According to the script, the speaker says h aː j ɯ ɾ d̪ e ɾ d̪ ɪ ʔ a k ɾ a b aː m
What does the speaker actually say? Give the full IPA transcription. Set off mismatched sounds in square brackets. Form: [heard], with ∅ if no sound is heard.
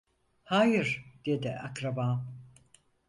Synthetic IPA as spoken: h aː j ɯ ɾ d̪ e [∅] d̪ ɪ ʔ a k ɾ a b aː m